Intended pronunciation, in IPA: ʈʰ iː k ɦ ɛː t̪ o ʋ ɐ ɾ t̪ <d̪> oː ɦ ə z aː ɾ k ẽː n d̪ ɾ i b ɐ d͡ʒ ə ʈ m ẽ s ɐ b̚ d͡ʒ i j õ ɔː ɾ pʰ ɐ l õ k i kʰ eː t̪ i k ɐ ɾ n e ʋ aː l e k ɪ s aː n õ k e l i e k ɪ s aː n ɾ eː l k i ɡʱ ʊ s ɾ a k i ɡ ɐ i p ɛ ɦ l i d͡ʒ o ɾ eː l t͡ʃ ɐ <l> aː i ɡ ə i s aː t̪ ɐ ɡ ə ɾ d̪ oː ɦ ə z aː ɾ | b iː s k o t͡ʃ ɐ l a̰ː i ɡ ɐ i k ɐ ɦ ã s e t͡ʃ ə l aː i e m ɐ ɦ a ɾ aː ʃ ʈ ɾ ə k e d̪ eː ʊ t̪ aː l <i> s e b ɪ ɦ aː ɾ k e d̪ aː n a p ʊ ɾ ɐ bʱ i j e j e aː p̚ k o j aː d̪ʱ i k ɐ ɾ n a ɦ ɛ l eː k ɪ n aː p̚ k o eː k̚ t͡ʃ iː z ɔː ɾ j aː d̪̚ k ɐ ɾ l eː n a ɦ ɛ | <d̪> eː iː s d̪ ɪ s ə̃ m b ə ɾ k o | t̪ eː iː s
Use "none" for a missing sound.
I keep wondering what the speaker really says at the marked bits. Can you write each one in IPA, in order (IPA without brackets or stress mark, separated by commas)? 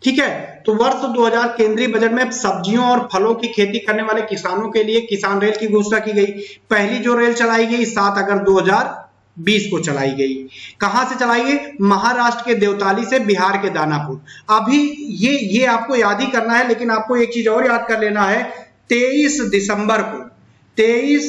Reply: d̪, l, i, t̪